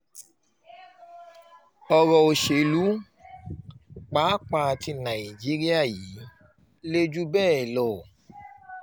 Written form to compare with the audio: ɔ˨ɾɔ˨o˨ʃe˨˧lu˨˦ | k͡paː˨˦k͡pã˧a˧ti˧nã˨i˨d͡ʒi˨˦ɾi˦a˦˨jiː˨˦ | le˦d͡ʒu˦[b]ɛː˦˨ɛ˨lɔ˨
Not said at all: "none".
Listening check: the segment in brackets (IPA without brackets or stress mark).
b